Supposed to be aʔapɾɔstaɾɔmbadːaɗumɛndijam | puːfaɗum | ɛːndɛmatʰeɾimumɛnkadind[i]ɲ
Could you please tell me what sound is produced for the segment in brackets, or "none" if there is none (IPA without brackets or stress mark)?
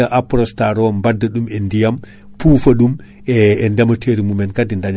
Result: a